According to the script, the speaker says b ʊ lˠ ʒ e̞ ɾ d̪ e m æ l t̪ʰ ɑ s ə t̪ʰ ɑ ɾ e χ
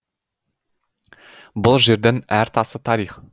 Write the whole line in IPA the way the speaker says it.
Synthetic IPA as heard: b ʊ lˠ ʒ e̞ ɾ d̪ e n æ ɾ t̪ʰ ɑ s ə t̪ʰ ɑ ɾ i χ